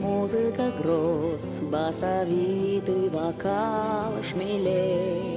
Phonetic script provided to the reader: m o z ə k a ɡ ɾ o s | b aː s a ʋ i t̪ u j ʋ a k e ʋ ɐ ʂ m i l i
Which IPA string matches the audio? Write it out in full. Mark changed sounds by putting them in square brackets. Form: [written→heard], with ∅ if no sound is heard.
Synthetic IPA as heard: m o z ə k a ɡ ɾ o s | b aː s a ʋ i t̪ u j ʋ a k [e→a] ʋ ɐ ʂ m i l [i→e]